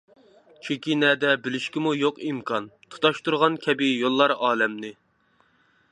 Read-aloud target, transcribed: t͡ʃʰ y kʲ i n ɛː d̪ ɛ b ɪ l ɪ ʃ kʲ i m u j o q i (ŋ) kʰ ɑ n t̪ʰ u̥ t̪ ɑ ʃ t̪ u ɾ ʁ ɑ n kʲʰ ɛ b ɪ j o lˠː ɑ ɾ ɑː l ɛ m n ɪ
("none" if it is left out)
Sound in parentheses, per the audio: m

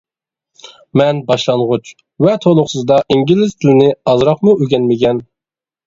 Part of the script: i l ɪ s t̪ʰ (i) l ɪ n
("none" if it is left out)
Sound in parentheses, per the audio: ɪ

